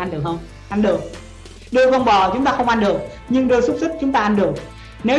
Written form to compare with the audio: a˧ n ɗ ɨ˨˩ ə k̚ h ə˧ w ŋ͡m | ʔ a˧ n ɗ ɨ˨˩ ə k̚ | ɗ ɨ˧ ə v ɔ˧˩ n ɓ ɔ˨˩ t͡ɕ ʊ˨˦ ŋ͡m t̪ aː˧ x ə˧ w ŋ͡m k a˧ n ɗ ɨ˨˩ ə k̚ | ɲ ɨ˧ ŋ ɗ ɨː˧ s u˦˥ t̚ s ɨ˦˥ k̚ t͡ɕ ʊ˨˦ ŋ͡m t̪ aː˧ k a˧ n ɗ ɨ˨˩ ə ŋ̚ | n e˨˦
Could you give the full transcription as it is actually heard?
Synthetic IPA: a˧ n ɗ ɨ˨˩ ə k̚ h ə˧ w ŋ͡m | ʔ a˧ n ɗ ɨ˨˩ ə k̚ | ɗ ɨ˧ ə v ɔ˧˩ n ɓ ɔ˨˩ t͡ɕ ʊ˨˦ ŋ͡m t̪ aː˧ x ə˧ w ŋ͡m ʔ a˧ n ɗ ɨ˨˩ ə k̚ | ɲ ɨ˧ ŋ ɗ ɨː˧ s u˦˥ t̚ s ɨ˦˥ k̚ t͡ɕ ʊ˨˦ ŋ͡m t̪ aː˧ ʔ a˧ n ɗ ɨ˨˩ ə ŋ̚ | n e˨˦